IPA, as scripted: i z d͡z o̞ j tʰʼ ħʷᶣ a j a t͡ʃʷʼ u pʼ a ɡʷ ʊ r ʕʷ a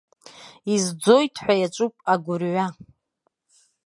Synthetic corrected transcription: i z d͡z o̞ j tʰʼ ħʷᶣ a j a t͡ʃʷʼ u pʼ a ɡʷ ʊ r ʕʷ a